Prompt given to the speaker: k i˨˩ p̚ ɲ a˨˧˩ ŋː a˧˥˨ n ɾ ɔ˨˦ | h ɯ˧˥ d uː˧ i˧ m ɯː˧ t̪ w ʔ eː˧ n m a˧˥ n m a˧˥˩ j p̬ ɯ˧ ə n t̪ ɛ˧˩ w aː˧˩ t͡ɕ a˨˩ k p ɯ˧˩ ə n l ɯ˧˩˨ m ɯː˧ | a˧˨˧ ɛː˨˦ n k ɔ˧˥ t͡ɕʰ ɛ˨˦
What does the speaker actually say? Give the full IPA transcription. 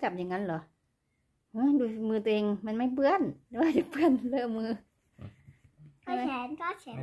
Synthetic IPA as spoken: k a˨˩ p̚ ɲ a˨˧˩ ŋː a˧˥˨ n l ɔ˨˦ | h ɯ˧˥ d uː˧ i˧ m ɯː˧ t̪ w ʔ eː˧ ŋ m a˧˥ n m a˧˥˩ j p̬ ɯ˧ ə n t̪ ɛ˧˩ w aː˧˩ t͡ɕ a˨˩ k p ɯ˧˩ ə n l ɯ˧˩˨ m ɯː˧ | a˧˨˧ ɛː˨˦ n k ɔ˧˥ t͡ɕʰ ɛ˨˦

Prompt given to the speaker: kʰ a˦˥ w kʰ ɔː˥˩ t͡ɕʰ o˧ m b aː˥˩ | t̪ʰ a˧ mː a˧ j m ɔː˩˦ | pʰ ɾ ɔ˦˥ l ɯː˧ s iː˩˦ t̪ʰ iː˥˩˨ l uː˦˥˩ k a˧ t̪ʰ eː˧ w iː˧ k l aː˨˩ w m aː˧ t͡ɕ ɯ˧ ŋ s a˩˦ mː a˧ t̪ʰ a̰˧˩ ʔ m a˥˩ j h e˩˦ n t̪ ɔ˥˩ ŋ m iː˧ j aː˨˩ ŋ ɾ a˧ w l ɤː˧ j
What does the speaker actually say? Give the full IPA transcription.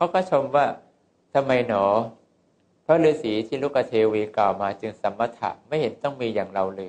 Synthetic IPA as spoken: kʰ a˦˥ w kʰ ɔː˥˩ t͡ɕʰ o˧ m w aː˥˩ | t̪ʰ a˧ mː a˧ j n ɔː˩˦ | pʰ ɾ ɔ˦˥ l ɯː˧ s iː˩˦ t̪ʰ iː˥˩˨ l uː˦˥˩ k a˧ t̪ʰ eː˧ w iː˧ k l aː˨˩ w m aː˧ t͡ɕ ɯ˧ ŋ s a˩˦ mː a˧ t̪ʰ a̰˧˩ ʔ m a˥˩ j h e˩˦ n t̪ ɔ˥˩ ŋ m iː˧ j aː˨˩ ŋ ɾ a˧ w l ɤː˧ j

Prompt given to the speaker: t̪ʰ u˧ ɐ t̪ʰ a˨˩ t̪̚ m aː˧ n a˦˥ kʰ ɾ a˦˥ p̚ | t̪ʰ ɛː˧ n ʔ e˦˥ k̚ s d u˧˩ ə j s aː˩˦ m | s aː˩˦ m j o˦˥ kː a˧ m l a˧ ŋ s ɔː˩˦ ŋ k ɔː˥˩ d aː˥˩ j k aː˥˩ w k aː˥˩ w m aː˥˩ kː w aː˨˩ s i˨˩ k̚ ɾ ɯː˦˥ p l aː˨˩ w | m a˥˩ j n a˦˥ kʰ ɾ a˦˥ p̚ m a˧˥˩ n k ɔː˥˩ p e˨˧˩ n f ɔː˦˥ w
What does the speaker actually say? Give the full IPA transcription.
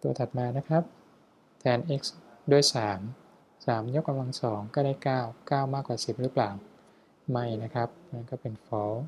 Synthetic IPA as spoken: t̪ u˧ ɐ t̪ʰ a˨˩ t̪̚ m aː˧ n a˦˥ kʰ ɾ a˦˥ p̚ | t̪ʰ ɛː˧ n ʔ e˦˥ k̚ s d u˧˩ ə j s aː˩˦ m | s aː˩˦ m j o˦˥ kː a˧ m l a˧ ŋ s ɔː˩˦ ŋ k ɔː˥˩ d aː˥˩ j k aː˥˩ w k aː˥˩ w m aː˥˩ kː w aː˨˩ s i˨˩ p̚ ɾ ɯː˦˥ p l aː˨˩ w | m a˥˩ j n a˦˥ kʰ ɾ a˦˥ p̚ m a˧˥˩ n k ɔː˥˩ p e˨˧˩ n f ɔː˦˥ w

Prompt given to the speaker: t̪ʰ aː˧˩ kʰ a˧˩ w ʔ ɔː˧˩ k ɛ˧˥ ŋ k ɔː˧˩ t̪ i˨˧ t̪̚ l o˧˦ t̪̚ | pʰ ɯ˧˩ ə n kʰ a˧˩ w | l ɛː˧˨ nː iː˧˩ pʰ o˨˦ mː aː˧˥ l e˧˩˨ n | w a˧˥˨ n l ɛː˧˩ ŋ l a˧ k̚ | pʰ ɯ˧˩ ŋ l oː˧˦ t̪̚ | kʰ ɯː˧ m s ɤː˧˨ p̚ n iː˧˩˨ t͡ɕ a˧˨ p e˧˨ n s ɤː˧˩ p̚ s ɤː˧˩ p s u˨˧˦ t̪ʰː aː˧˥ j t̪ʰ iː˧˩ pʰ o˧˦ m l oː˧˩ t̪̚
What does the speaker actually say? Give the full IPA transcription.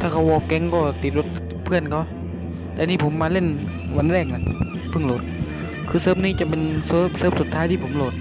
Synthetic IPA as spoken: t̪ʰ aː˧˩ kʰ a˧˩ w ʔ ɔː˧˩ k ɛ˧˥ ŋ k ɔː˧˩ t̪ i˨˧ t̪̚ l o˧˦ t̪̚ | pʰ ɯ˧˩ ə n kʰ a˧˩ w | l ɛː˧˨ n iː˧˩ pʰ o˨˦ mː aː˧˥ l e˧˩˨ n | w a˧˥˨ n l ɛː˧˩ ŋ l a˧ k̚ | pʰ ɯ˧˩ ŋ l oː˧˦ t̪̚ | kʰ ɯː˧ s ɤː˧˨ p̚ n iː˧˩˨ t͡ɕ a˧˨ p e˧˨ n s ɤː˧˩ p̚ s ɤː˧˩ p s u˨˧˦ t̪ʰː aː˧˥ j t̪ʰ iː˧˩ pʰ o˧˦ m l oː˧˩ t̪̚

